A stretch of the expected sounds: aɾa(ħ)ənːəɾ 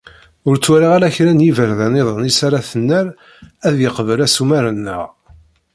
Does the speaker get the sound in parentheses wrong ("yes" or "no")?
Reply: yes